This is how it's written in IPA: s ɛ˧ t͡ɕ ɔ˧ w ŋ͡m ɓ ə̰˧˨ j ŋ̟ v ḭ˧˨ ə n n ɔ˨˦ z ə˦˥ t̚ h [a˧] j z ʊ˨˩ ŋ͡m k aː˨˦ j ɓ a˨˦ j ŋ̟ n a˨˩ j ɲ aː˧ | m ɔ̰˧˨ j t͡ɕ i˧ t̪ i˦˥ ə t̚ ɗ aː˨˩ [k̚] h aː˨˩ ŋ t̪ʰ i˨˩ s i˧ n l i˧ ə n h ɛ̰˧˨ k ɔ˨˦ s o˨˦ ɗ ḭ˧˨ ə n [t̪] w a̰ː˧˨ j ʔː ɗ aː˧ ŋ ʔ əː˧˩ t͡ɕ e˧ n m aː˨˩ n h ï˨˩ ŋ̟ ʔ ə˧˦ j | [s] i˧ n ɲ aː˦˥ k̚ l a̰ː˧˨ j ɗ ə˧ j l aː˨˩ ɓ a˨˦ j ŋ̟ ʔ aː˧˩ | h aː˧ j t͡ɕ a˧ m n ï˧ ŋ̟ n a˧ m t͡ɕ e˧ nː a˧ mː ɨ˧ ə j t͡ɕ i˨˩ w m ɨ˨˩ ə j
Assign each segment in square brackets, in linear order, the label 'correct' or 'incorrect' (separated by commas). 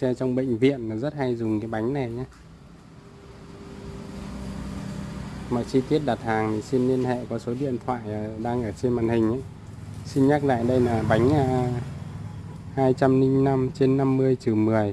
correct, incorrect, incorrect, correct